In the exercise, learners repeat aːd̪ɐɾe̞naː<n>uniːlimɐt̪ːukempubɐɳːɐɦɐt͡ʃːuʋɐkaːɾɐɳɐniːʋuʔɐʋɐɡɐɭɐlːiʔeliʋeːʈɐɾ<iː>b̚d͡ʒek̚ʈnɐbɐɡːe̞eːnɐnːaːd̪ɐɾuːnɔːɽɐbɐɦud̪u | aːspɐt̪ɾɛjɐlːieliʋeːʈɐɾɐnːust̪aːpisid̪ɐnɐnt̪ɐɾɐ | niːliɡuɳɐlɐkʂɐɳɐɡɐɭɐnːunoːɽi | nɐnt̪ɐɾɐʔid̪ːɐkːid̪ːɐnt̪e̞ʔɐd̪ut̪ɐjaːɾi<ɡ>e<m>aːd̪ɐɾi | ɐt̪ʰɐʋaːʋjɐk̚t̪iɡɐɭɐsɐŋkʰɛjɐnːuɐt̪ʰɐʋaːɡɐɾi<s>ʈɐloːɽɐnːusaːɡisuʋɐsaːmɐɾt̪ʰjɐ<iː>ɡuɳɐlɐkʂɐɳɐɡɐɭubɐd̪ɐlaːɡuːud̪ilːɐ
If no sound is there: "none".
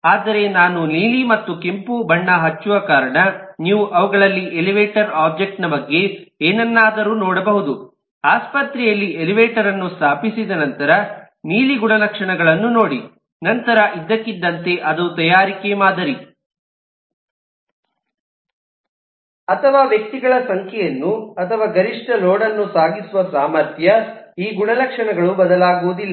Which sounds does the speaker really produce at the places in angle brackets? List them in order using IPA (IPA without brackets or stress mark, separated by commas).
n, aː, k, m, ʂ, iː